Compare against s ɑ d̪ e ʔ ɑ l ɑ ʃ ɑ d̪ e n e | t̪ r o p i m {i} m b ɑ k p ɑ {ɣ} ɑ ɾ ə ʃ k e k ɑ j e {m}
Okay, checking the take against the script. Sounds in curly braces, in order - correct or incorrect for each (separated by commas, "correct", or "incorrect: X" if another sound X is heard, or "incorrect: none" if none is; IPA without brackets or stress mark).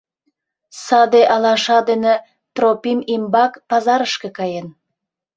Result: correct, incorrect: z, incorrect: n